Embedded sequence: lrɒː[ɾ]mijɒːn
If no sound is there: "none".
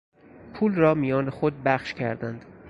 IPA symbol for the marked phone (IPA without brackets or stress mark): none